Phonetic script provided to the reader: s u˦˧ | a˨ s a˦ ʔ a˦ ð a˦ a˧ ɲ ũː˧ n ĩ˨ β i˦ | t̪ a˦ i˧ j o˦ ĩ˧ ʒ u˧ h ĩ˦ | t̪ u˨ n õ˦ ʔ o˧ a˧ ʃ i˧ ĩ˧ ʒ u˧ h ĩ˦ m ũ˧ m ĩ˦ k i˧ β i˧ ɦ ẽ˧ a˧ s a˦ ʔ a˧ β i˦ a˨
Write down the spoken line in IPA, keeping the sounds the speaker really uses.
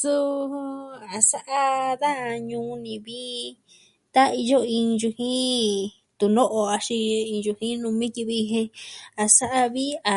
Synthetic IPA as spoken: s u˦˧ | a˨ s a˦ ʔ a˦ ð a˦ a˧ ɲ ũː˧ n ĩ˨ β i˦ | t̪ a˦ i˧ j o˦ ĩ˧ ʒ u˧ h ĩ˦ | t̪ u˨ n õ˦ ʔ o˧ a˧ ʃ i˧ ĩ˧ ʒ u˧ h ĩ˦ n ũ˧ m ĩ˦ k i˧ β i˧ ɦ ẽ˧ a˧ s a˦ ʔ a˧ β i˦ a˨